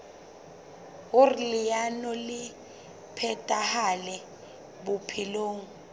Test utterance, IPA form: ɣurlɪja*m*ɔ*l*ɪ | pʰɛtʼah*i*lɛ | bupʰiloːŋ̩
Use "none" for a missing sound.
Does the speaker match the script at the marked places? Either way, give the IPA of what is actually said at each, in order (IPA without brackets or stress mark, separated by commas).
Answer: n, l, a